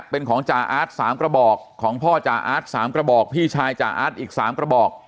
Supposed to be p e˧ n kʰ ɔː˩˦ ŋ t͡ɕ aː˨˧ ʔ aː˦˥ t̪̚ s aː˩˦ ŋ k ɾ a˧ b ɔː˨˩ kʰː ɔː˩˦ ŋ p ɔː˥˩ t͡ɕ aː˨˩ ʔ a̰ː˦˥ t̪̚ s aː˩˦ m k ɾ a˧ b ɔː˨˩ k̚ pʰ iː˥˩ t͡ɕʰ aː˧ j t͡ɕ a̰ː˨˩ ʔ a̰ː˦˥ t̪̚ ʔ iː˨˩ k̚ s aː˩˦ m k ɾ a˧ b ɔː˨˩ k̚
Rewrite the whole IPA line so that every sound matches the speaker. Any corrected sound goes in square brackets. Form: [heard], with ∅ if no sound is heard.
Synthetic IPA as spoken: p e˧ n kʰ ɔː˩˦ ŋ t͡ɕ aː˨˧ ʔ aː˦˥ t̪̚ s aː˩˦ [m] k ɾ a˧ b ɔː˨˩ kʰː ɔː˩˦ ŋ [pʰ] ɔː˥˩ t͡ɕ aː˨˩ ʔ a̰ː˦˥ t̪̚ s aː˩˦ m k ɾ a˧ b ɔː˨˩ k̚ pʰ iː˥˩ t͡ɕʰ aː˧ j t͡ɕ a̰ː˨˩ ʔ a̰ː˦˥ t̪̚ ʔ iː˨˩ k̚ s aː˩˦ m k ɾ a˧ b ɔː˨˩ k̚

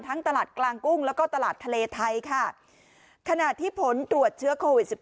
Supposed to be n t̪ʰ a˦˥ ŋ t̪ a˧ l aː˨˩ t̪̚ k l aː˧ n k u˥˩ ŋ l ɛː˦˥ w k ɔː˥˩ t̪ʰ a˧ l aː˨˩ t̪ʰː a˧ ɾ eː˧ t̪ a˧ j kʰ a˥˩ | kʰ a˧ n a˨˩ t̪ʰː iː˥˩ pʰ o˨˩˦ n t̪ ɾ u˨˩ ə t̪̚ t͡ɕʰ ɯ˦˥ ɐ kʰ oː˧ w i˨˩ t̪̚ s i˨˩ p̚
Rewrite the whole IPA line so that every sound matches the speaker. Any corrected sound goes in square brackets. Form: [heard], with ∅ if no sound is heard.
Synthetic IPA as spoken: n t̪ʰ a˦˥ ŋ t̪ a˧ l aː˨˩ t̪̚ k l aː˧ [ŋ] k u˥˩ ŋ l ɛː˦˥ w k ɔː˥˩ [t̪] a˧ l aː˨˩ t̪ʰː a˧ [l] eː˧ [t̪ʰ] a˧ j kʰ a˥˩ | kʰ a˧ n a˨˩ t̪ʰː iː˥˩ pʰ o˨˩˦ n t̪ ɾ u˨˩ ə t̪̚ t͡ɕʰ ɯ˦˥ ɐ kʰ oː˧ w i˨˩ t̪̚ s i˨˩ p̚

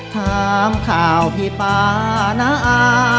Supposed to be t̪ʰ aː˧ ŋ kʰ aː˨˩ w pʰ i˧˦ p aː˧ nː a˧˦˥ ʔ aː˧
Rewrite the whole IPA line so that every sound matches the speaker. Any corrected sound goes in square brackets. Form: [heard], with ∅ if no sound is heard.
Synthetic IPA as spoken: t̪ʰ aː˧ [m] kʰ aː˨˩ w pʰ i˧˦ p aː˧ [n] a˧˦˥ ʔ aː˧

